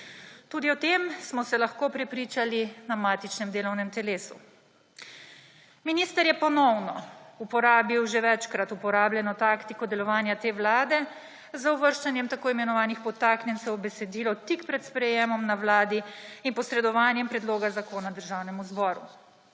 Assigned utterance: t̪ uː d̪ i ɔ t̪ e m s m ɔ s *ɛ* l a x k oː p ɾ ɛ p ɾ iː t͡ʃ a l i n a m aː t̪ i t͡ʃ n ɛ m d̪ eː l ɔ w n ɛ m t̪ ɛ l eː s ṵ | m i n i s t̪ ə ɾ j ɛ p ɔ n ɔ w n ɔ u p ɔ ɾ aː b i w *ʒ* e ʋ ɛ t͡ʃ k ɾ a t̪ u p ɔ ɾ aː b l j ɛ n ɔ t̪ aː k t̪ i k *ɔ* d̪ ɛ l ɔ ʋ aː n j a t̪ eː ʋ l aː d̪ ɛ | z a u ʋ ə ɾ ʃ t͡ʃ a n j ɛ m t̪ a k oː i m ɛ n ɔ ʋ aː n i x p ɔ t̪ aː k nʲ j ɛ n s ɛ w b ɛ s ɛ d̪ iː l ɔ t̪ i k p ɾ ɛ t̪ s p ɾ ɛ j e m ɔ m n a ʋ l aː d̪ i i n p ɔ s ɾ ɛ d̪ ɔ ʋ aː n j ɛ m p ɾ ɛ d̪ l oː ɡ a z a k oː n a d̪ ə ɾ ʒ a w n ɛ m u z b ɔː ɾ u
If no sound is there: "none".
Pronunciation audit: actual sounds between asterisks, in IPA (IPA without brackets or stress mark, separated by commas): ɛ, ʒ, ɔ